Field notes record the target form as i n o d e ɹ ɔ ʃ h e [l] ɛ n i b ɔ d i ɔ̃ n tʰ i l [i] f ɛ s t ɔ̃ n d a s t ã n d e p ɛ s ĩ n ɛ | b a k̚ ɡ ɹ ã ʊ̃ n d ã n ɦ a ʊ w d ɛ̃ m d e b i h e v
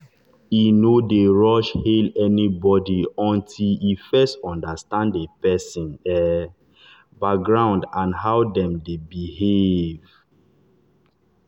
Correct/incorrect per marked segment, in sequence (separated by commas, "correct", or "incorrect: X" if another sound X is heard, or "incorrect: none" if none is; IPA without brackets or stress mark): correct, correct